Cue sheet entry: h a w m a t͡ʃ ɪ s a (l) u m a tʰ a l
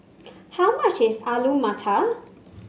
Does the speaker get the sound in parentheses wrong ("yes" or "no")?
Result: no